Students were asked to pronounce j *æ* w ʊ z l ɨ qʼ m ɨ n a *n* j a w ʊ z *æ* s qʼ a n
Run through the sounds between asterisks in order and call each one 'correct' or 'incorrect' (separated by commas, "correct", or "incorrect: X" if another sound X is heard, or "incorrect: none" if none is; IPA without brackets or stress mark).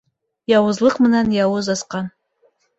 incorrect: a, correct, incorrect: a